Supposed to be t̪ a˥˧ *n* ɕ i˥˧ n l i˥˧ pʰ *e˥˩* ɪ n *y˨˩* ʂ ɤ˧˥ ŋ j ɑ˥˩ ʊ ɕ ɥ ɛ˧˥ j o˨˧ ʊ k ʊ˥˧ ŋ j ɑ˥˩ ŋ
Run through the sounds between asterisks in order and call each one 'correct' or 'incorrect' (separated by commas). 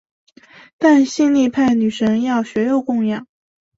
correct, incorrect, correct